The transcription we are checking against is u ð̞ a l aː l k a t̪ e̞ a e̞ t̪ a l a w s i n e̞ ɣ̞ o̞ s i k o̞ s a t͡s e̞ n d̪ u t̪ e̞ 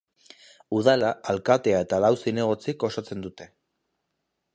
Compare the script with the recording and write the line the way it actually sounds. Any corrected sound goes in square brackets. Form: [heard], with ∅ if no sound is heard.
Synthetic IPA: u ð̞ a l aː l k a t̪ e̞ a e̞ t̪ a l a w s i n e̞ ɣ̞ o̞ [t͡s] i k o̞ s a t͡s e̞ n d̪ u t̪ e̞